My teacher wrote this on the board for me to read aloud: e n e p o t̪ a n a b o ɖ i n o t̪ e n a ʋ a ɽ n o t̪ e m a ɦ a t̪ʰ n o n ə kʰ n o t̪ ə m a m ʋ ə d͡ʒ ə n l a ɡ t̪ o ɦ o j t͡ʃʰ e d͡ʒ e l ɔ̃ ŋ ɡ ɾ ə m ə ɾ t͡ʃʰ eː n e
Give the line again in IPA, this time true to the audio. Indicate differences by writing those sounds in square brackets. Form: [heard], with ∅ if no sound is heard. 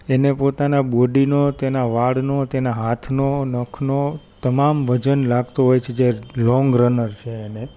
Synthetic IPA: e n e p o t̪ a n a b o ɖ i n o t̪ e n a ʋ a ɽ n o t̪ e [n] a ɦ a t̪ʰ n o n ə kʰ n o t̪ ə m a m ʋ ə d͡ʒ ə n l a ɡ t̪ o ɦ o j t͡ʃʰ e d͡ʒ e l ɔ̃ ŋ ɡ ɾ ə [n] ə ɾ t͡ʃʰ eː n e

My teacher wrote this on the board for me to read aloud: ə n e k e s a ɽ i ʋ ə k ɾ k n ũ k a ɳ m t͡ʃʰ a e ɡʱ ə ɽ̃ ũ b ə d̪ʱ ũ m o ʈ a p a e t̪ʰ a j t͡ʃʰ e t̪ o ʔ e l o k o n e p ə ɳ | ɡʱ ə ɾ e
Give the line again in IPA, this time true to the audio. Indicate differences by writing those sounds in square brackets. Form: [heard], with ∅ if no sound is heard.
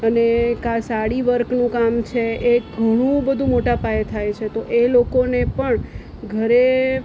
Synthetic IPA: ə n e k [a] s a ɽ i ʋ ə [∅] ɾ k n ũ k a [∅] m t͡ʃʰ [e] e ɡʱ ə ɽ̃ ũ b ə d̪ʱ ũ m o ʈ a p a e t̪ʰ a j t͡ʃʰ e t̪ o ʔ e l o k o n e p ə ɳ | ɡʱ ə ɾ e

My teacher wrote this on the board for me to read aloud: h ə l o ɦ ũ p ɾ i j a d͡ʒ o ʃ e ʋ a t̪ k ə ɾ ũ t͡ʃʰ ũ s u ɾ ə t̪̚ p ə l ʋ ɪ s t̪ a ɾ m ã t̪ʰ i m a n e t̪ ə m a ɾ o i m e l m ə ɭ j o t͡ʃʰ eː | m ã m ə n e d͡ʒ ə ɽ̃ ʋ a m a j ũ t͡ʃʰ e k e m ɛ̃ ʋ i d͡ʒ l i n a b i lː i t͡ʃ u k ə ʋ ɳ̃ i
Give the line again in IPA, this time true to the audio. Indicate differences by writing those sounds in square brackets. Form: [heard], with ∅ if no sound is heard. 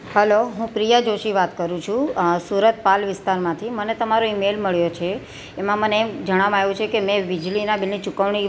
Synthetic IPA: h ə l o ɦ ũ p ɾ i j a d͡ʒ o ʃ [i] ʋ a t̪ k ə ɾ ũ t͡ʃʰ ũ s u ɾ ə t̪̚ p [a] l ʋ ɪ s t̪ a ɾ m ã t̪ʰ i m [ə] n e t̪ ə m a ɾ o i m e l m ə ɭ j o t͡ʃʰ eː | m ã m ə n e d͡ʒ ə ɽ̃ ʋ a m a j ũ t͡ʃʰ e k e m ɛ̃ ʋ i d͡ʒ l i n a b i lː i t͡ʃ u k ə ʋ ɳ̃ i

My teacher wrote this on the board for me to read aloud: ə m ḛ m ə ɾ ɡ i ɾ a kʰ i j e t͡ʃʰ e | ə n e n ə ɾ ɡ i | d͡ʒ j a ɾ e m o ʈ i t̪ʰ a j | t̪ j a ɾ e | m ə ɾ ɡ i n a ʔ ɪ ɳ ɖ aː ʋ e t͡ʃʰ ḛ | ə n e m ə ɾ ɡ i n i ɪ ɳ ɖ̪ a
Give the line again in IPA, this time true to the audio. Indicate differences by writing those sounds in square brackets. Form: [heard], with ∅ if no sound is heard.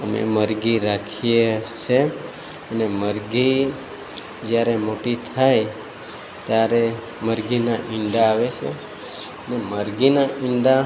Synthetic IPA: ə m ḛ m ə ɾ ɡ i ɾ a kʰ i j e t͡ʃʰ e | ə n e [m] ə ɾ ɡ i | d͡ʒ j a ɾ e m o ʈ i t̪ʰ a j | t̪ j a ɾ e | m ə ɾ ɡ i n a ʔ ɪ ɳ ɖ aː ʋ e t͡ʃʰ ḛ | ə n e m ə ɾ ɡ i n [a] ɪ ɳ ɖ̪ a

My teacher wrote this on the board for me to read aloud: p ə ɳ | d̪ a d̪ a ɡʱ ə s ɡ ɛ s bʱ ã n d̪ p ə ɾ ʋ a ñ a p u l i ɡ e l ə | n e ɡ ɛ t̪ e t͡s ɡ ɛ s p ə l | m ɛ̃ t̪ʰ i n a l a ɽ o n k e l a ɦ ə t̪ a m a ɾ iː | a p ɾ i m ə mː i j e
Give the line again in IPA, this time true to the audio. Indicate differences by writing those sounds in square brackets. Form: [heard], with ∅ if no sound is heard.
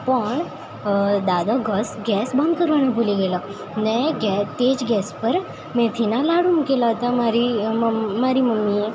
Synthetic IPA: p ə ɳ | d̪ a d̪ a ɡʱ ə s ɡ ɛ s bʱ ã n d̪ [k] ə ɾ ʋ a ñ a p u l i ɡ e l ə | n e ɡ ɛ t̪ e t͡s ɡ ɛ s p ə [ɾ] | m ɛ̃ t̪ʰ i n a l a ɽ [u] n k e l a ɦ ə t̪ a m a ɾ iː | a [∅] ɾ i m ə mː i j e

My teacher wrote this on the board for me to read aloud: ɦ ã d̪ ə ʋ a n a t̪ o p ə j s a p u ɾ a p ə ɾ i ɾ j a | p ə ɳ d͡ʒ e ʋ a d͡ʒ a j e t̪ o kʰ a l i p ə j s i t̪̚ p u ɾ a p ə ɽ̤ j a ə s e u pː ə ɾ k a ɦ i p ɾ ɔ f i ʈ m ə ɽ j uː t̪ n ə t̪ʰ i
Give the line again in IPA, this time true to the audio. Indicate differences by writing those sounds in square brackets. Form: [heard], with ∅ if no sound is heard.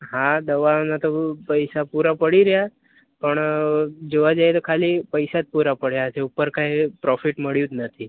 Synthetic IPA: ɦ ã d̪ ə ʋ a n a t̪ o p ə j s a p u ɾ a p ə [ɽ] i ɾ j a | p ə ɳ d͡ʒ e ʋ a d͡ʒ a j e t̪ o kʰ a l i p ə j s [a] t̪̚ p u ɾ a p ə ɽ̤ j a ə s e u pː ə ɾ k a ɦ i p ɾ ɔ f i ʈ m ə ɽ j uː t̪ n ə t̪ʰ i

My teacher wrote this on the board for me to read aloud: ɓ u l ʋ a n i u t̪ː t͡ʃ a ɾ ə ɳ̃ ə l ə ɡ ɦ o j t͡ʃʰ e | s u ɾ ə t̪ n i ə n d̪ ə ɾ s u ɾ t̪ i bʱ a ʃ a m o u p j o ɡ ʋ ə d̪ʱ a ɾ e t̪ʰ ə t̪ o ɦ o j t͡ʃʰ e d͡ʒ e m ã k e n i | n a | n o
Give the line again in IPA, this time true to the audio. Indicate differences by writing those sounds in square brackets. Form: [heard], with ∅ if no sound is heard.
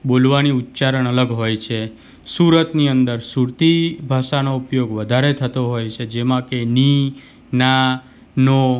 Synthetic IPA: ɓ [o] l ʋ a n i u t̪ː t͡ʃ a ɾ ə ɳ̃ ə l ə ɡ ɦ o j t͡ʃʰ e | s u ɾ ə t̪ n i ə n d̪ ə ɾ s u ɾ t̪ i bʱ a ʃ a [n] o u p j o ɡ ʋ ə d̪ʱ a ɾ e t̪ʰ ə t̪ o ɦ o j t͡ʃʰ e d͡ʒ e m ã k e n i | n a | n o

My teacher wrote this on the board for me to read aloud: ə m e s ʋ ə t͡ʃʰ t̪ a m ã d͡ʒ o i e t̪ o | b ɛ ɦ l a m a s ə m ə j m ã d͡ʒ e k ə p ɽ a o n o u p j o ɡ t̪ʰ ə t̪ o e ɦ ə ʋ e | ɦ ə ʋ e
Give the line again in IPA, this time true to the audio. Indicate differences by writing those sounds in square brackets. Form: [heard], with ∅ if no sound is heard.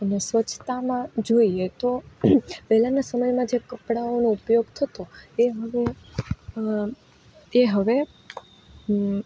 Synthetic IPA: ə [n] e s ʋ ə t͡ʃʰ t̪ a m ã d͡ʒ o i e t̪ o | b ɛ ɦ l a [n] a s ə m ə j m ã d͡ʒ e k ə p ɽ a o n o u p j o ɡ t̪ʰ ə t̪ o e ɦ ə ʋ e | ɦ ə ʋ e

